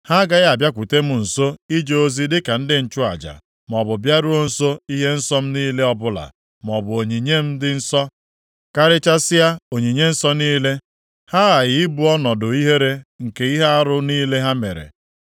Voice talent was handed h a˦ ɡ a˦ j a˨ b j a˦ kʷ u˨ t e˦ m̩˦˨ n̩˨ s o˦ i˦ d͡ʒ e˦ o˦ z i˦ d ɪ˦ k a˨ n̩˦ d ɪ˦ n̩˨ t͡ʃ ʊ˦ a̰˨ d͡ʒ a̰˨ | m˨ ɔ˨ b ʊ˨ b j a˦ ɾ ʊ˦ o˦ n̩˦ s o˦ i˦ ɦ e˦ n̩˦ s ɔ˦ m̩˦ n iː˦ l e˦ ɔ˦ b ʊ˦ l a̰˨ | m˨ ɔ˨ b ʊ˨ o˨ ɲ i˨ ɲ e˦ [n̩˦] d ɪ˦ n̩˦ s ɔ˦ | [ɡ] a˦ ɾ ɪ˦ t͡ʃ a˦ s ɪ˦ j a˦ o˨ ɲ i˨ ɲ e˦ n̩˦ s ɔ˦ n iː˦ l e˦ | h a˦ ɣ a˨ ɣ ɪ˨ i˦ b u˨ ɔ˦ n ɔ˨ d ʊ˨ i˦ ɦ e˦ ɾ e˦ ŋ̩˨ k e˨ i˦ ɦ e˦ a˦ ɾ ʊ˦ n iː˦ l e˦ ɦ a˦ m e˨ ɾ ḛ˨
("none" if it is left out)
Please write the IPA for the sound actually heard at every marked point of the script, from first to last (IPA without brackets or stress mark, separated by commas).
m̩˦, k